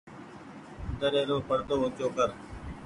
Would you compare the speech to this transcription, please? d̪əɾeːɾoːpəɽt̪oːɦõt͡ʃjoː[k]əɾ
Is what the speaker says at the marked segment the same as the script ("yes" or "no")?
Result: yes